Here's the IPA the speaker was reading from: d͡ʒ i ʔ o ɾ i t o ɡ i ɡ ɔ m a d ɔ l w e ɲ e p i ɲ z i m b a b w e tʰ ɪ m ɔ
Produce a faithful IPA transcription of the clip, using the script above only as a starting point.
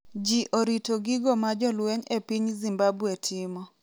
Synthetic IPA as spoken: d͡ʒ i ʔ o ɾ i t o ɡ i ɡ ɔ m a d͡ʒ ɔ l w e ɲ e p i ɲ z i m b a b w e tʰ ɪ m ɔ